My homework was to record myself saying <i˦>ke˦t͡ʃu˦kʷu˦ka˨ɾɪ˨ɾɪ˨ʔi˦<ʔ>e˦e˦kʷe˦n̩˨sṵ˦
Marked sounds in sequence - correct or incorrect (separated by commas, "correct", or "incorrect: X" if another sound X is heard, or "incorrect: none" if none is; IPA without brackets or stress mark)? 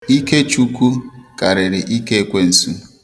correct, incorrect: k